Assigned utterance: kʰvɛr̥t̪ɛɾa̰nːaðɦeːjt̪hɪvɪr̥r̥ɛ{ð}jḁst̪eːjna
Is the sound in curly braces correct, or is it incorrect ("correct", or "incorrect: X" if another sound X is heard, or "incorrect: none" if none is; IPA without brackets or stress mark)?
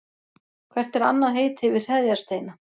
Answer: correct